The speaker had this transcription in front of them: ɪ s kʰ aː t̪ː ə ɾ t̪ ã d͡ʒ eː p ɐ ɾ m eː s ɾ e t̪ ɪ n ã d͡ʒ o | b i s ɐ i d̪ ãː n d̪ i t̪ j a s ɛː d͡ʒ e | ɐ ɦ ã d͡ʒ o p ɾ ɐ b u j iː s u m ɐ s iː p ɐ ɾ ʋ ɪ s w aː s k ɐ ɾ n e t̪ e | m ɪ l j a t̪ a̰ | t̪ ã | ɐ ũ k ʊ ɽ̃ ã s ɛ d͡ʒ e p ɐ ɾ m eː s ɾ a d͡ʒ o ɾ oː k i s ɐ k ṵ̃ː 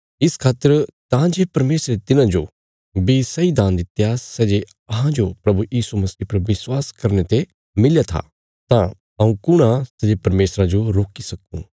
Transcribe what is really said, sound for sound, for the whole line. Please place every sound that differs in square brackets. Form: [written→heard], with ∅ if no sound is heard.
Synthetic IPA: ɪ s kʰ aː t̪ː ə ɾ t̪ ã d͡ʒ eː p ɐ ɾ m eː s ɾ e t̪ ɪ n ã d͡ʒ o | b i s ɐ i d̪ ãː n d̪ [i→ɪ] t̪ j a s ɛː d͡ʒ e | ɐ ɦ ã d͡ʒ o p ɾ ɐ b u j iː s u m ɐ s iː p ɐ ɾ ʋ ɪ s w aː s k ɐ ɾ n e t̪ e | m ɪ l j a [t̪→t̪ʰ] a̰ | t̪ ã | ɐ ũ k ʊ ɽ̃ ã s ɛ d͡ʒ e p ɐ ɾ m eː s ɾ a d͡ʒ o ɾ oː k i s ɐ k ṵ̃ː